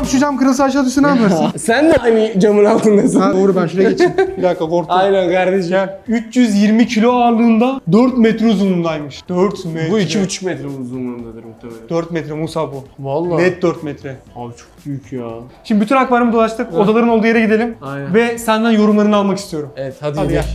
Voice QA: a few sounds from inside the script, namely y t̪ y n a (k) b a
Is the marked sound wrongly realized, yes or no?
no